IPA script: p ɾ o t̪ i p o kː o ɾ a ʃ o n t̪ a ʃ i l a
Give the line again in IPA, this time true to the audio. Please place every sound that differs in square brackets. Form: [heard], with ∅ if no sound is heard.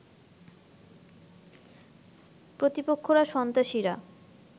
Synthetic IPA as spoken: p ɾ o t̪ i p o [kʰː] o ɾ a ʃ [ɔ] n t̪ a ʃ i [ɾ] a